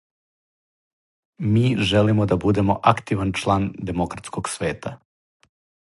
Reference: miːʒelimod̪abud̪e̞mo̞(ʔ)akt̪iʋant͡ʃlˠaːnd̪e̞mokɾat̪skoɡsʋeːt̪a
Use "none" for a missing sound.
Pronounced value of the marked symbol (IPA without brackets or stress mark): ʔ